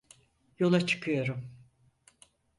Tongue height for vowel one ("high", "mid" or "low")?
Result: mid